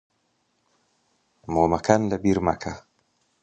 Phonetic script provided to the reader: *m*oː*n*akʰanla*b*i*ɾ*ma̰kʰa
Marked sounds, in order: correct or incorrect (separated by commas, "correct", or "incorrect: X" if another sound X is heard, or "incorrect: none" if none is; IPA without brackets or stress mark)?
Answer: correct, incorrect: m, correct, correct